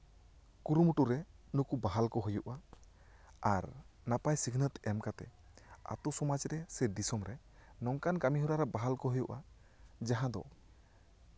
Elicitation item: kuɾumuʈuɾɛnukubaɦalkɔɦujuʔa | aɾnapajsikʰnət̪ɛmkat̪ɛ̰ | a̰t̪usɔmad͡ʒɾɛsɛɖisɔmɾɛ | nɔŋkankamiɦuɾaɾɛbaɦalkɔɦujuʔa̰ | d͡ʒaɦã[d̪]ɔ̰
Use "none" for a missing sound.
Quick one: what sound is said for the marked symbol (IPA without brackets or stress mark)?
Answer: d̪